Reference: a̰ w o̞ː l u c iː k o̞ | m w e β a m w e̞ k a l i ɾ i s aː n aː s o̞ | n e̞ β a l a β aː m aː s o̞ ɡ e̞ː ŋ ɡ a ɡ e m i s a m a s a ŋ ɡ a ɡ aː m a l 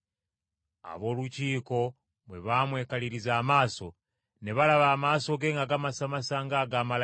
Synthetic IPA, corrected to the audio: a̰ β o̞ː l u c iː k o̞ | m w e β a m w e̞ k a l i ɾ i z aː m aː s o̞ | n e̞ β a l a β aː m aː s o̞ ɡ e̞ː ŋ ɡ a ɡ a m a s a m a s a ŋ ɡ a ɡ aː m a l